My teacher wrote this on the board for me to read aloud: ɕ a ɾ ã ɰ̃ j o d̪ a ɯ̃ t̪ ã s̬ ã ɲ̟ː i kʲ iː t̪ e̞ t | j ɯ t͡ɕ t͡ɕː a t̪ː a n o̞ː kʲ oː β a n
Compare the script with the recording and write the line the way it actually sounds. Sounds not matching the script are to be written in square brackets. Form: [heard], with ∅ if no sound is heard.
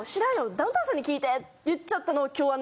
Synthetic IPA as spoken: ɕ [i] ɾ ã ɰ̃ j o d̪ a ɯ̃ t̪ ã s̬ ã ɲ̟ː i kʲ iː t̪ e̞ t | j ɯ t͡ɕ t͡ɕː a t̪ː a n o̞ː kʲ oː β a n

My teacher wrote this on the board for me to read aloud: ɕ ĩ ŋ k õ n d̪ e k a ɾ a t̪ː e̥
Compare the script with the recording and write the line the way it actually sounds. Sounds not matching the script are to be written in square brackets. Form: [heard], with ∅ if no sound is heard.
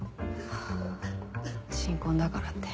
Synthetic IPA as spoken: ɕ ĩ ŋ k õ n d̪ [a] k a ɾ a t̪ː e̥

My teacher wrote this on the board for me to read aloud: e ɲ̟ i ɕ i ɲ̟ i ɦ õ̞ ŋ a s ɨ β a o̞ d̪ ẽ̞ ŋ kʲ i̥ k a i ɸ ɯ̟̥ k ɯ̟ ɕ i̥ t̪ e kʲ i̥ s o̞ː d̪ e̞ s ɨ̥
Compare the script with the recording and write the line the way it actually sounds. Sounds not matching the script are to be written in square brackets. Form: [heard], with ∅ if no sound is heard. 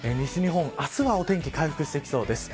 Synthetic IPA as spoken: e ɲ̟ i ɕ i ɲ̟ i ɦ õ̞ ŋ a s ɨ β a o̞ [t̪] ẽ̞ ŋ kʲ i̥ k a i ɸ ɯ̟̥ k ɯ̟ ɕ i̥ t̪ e kʲ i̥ s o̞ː d̪ e̞ s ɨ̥

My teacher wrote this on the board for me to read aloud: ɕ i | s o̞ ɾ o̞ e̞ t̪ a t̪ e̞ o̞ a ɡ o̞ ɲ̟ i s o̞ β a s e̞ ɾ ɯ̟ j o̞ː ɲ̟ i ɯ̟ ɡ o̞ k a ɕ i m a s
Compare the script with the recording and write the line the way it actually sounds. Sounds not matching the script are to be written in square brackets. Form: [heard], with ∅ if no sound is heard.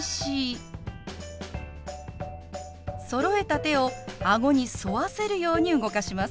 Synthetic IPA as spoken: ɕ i | s o̞ ɾ o̞ e̞ t̪ a t̪ e̞ o̞ a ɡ o̞ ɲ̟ i s o̞ β a s e̞ ɾ ɯ̟ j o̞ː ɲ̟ i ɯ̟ ɡ o̞ k a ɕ i m a s

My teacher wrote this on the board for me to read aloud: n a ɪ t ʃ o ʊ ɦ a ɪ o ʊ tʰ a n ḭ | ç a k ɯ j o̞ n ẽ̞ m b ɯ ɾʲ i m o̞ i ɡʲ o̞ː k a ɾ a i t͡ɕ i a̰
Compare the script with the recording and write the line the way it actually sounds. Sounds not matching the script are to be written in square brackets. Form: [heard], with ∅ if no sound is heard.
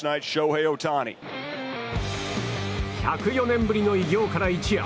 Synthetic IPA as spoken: n a ɪ t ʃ o ʊ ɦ [e] ɪ o ʊ tʰ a n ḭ | ç a k ɯ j o̞ n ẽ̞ m b ɯ ɾʲ i [n] o̞ i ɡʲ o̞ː k a ɾ a i t͡ɕ i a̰

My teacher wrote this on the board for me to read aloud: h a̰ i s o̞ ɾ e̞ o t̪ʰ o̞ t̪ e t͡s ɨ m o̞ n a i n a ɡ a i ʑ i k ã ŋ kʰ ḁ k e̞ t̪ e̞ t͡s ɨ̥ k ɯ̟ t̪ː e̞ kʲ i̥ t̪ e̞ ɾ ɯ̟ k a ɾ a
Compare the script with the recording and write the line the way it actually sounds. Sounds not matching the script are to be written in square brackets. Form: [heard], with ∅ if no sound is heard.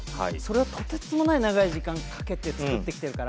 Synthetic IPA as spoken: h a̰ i s o̞ ɾ e̞ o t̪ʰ o̞ t̪ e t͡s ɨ m o̞ n a i n a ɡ a i ʑ i k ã ŋ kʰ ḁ k e̞ t̪ e̞ t͡s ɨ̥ k ɯ̟ t̪ː e̞ kʲ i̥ t̪ e̞ ɾ ɯ̟ k a ɾ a

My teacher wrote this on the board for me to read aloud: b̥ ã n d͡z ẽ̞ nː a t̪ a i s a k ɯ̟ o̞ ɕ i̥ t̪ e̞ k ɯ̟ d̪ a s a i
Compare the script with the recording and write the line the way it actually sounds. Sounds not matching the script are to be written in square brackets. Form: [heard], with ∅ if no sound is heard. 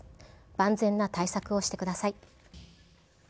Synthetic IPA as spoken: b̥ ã n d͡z ẽ̞ nː a t̪ a i s a k ɯ̟ o̞ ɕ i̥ t̪ e̞ k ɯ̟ d̪ a s a i

